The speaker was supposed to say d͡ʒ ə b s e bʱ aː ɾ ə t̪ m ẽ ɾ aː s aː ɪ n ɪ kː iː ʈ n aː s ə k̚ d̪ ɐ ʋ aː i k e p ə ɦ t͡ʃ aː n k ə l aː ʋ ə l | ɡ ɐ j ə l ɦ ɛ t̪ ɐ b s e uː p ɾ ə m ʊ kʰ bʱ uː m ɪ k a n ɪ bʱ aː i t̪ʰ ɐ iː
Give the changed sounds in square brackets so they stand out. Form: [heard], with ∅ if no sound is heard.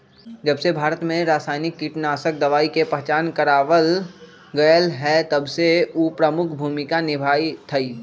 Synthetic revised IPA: d͡ʒ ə b s e bʱ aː ɾ ə t̪ m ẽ ɾ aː s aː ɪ n ɪ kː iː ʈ n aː s ə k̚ d̪ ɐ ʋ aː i k e p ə ɦ t͡ʃ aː n k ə [ɾ] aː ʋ ə l | ɡ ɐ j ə l ɦ ɛ t̪ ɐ b s e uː p ɾ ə m ʊ kʰ bʱ uː m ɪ k a n ɪ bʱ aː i t̪ʰ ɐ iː